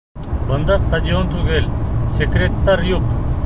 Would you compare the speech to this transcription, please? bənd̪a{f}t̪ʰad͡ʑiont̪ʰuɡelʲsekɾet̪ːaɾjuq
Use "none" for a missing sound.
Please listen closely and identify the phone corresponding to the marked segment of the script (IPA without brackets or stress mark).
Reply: s